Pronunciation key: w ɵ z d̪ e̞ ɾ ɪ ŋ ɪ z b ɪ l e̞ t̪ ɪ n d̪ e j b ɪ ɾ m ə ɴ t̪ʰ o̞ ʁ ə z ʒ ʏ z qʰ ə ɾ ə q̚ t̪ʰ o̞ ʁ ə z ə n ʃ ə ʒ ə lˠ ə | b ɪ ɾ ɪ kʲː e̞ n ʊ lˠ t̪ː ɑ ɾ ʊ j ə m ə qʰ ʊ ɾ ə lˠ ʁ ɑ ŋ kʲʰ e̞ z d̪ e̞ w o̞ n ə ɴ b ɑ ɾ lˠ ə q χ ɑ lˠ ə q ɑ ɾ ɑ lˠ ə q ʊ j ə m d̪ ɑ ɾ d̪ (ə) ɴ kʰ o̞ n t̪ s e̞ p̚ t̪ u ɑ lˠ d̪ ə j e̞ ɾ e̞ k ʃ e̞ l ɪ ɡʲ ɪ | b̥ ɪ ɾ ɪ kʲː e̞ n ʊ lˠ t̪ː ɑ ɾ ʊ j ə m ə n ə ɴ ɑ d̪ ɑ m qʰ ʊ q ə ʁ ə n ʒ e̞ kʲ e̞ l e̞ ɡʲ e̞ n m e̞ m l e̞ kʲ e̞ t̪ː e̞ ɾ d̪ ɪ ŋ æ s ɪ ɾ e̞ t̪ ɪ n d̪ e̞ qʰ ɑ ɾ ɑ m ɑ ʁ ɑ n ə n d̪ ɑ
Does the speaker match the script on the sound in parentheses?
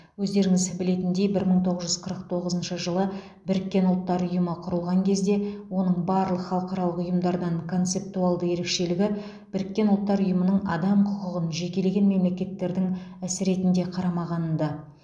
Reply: no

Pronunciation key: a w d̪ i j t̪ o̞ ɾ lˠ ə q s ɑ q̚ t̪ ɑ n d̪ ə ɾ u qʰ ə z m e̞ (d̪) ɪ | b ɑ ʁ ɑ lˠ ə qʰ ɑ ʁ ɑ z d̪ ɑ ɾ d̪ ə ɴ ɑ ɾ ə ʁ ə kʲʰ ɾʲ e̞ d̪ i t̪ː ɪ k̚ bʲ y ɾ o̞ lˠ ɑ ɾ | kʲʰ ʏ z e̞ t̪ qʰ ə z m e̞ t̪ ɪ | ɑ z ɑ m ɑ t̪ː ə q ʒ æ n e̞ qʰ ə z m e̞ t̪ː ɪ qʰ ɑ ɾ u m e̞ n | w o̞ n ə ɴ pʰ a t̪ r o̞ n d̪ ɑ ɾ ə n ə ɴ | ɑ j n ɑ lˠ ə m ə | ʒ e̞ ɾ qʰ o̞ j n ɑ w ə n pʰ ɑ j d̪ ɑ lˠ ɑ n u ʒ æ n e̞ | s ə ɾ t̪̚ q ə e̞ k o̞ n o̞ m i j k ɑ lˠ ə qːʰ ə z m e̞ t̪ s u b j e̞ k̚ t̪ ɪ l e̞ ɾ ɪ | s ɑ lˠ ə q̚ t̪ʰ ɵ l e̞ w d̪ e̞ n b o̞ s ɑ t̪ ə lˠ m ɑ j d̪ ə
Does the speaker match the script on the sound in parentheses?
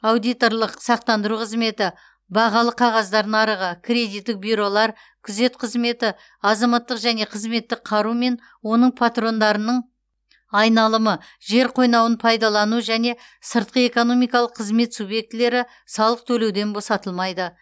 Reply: no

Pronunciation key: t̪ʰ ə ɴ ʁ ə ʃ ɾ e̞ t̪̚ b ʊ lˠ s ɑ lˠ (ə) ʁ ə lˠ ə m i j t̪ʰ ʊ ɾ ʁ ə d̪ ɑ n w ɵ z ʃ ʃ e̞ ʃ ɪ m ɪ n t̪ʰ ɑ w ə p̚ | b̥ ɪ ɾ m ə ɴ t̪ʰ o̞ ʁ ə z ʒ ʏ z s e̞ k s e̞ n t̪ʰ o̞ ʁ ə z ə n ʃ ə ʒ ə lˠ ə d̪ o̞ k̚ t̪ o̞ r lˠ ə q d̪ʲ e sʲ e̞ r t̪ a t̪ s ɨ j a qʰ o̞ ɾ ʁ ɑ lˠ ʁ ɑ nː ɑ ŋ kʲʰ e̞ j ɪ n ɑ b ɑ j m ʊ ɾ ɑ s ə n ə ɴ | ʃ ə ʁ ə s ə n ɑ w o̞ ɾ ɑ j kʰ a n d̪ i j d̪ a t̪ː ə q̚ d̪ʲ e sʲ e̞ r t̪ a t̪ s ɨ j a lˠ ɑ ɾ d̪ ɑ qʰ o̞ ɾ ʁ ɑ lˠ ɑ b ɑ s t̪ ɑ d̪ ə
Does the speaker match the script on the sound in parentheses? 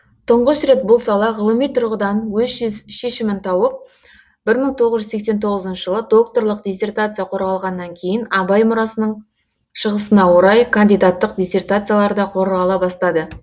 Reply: no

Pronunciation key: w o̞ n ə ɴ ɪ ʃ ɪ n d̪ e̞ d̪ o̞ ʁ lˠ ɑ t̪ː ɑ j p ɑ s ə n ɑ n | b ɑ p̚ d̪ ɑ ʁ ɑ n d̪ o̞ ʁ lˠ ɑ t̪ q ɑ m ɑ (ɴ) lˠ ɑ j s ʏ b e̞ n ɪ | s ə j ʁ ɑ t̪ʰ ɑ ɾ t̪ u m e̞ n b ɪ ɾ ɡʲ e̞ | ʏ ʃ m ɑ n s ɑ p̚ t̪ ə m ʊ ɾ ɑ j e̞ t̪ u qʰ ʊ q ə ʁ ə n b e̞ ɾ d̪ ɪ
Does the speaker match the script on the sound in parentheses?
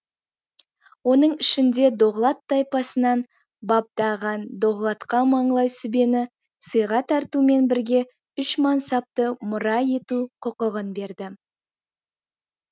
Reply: yes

